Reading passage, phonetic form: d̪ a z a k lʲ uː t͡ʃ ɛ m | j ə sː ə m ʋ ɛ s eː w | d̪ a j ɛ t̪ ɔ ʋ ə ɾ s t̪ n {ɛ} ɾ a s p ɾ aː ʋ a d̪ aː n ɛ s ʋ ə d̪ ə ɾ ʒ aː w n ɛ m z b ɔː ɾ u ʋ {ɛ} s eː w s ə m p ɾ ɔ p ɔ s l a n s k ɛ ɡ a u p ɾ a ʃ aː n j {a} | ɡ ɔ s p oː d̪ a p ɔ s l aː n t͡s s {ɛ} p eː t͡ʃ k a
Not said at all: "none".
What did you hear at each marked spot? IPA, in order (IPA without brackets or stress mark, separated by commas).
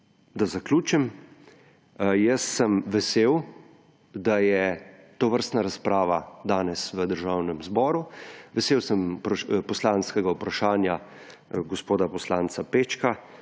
a, ɛ, a, a